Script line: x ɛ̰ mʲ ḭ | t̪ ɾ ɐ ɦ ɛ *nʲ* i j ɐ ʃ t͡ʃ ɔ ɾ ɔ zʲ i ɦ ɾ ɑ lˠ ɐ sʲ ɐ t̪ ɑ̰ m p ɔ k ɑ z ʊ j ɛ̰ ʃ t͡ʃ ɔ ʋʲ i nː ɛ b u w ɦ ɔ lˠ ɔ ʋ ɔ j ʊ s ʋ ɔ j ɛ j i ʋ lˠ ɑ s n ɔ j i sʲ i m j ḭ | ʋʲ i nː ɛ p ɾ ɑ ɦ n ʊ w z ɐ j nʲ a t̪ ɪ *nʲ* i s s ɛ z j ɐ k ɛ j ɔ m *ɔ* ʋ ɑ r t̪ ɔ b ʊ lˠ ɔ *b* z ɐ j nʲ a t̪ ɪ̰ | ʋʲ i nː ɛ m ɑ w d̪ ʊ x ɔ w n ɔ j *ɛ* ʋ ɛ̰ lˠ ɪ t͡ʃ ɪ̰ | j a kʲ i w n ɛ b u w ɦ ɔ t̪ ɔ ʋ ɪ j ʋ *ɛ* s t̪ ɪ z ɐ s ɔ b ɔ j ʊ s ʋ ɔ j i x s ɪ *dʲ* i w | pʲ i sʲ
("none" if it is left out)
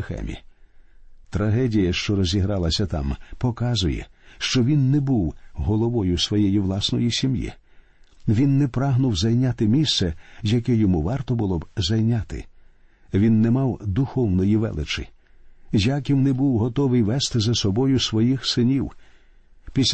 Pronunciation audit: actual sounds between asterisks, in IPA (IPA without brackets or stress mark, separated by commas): dʲ, mʲ, u, b, i, ɛ, nʲ